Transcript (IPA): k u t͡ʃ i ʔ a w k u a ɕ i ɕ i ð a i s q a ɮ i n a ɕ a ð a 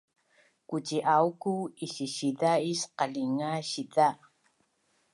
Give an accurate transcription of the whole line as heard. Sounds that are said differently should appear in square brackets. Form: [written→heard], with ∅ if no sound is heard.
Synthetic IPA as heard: k u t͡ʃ i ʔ a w k u [a→i] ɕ i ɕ i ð a i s q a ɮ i [n→ŋ] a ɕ [a→i] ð a